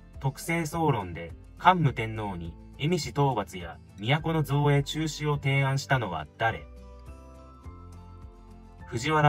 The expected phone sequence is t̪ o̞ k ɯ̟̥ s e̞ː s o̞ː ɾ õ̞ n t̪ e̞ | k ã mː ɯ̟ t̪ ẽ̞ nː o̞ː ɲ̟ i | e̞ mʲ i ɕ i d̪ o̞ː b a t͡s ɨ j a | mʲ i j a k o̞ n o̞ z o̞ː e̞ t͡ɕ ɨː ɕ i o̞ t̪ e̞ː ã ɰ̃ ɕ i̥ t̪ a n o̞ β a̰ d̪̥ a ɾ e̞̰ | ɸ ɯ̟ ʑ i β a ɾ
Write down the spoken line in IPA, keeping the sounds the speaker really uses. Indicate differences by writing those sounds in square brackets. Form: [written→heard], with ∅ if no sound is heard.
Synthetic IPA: t̪ o̞ k ɯ̟̥ s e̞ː s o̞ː ɾ õ̞ n [t̪→d̪] e̞ | k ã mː ɯ̟ t̪ ẽ̞ nː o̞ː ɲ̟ i | e̞ mʲ i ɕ i [d̪→t̪] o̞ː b a t͡s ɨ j a | mʲ i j a k o̞ n o̞ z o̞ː e̞ t͡ɕ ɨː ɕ i o̞ t̪ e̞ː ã ɰ̃ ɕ i̥ t̪ a n o̞ β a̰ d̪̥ a ɾ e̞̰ | ɸ ɯ̟ ʑ i β a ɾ